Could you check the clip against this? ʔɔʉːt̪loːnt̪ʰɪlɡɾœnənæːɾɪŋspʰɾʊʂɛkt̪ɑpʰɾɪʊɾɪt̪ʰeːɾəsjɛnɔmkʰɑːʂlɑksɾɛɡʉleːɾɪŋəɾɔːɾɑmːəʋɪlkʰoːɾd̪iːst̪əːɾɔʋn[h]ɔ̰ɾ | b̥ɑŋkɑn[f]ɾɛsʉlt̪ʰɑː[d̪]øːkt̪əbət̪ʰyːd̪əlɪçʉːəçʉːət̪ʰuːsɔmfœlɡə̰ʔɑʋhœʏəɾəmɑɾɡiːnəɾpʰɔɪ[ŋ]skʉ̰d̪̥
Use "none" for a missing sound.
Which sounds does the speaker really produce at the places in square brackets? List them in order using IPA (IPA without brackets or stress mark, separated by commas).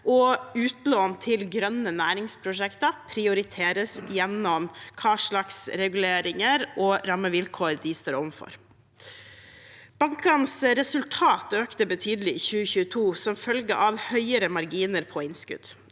f, s, t̪, n